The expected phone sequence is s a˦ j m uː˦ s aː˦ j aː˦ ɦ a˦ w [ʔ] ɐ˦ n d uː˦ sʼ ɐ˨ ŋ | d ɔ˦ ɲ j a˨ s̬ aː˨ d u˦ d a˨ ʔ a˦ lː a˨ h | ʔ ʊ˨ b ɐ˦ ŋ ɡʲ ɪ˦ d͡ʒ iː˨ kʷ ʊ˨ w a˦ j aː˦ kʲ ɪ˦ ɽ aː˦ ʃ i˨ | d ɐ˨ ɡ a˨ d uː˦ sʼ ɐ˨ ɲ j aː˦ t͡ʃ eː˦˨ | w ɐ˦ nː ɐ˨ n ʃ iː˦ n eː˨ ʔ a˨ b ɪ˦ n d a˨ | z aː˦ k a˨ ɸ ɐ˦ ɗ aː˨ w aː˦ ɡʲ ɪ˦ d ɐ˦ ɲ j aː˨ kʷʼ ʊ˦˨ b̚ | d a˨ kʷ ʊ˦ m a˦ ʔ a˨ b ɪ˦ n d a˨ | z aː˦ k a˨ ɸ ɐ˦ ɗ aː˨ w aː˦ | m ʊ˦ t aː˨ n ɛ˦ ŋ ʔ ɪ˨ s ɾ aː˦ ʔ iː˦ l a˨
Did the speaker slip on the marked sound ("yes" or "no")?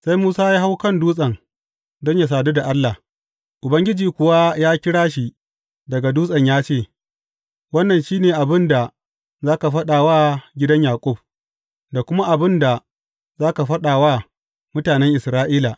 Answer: yes